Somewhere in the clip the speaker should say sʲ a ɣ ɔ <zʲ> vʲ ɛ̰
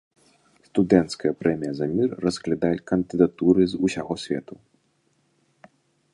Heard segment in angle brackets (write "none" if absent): sʲ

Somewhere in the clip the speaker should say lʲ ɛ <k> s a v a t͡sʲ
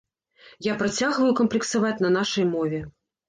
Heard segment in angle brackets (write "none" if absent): k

